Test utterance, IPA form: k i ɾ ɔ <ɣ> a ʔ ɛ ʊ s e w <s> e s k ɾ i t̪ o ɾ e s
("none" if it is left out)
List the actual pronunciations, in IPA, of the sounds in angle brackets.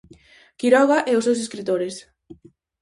ɣ, s

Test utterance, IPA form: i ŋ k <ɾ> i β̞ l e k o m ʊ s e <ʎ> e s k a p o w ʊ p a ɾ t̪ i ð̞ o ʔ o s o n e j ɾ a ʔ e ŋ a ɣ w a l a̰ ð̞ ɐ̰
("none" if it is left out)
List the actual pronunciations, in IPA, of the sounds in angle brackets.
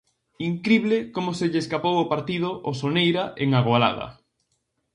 ɾ, ʎ

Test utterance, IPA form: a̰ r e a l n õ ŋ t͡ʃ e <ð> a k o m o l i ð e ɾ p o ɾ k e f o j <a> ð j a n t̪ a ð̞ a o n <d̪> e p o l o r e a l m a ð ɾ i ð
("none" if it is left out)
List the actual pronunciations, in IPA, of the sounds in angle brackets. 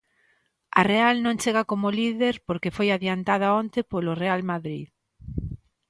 ɣ, a, t̪

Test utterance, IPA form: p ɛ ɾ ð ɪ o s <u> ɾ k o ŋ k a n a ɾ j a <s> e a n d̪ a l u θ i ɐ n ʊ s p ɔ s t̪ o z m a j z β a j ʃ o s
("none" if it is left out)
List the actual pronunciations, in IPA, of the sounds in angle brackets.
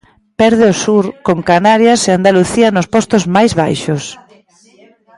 u, s

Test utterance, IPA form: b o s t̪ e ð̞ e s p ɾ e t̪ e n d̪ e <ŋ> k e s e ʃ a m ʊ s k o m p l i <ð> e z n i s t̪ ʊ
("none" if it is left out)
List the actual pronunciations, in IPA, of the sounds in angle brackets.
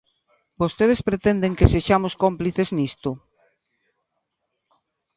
ŋ, θ

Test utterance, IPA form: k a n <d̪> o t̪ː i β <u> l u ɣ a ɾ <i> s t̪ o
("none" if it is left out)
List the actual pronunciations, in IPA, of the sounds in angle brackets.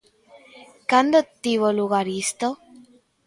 d̪, o, i

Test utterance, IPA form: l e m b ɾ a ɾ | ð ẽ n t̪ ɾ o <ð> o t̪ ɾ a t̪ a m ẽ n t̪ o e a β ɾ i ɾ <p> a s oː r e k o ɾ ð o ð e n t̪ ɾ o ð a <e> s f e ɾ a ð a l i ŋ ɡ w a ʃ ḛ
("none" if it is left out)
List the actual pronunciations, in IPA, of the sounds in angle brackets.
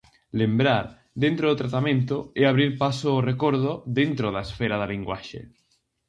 ð, p, e

